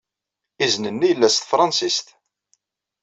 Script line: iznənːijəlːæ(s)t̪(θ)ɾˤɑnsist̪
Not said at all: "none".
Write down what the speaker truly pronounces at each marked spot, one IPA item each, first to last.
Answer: s, f

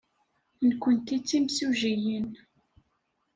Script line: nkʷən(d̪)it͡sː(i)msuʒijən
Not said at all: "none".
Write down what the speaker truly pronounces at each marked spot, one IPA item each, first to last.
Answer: t̪, i

